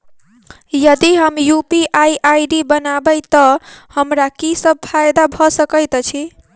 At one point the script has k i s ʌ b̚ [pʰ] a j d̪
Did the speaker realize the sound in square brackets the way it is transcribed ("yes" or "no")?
yes